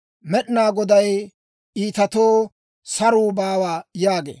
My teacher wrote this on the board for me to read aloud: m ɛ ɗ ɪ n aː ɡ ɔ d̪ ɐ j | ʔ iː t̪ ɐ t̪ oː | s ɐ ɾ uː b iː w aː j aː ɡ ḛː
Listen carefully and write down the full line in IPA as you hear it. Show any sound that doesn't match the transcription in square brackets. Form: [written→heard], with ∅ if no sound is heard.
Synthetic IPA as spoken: m ɛ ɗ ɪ n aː ɡ ɔ d̪ ɐ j | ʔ iː t̪ ɐ t̪ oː | s ɐ ɾ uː b [iː→aː] w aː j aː ɡ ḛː